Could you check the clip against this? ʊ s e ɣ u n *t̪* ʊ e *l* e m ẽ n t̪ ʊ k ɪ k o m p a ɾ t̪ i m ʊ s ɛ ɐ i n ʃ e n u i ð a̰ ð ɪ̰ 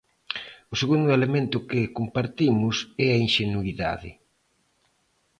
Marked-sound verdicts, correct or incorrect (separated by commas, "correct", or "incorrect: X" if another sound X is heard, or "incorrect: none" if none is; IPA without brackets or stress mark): incorrect: d̪, correct